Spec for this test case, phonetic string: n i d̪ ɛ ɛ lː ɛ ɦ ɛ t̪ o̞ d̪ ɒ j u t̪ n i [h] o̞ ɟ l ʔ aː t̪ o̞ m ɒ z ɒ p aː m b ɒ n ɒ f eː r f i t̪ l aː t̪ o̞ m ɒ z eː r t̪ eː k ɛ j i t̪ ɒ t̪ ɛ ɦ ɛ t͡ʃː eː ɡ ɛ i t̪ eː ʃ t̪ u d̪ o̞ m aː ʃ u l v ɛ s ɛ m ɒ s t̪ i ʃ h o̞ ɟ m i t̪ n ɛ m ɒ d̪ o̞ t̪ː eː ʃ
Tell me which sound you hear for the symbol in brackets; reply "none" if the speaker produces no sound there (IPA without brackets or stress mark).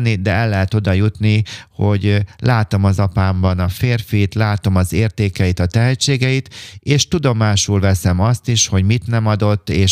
h